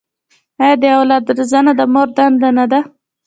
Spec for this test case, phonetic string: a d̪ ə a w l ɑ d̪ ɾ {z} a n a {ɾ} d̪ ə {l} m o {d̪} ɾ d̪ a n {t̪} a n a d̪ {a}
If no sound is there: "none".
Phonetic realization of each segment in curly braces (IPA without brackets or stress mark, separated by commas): z, none, none, none, d̪, a